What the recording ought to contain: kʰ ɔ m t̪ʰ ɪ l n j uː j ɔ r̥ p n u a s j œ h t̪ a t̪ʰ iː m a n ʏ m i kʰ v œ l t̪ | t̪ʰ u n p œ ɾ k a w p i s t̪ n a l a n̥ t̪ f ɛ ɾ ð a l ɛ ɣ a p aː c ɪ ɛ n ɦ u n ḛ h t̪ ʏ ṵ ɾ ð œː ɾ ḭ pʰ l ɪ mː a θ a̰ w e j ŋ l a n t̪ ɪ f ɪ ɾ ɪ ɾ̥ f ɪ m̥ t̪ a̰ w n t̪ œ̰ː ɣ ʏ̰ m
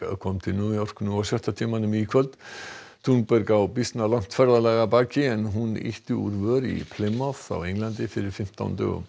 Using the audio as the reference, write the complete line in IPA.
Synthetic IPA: kʰ ɔ m t̪ʰ ɪ l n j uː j ɔ r̥ k n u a s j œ h t̪ a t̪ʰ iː m a n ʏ m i kʰ v œ l t̪ | t̪ʰ u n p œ ɾ k a w p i s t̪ n a l a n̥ t̪ f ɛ ɾ ð a l ɛ ɣ a p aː c ɪ ɛ n ɦ u n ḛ h t̪ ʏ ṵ ɾ v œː ɾ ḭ pʰ l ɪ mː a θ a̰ w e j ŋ l a n t̪ ɪ f ɪ ɾ ɪ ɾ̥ f ɪ m̥ t̪ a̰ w n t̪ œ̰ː ɣ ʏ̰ m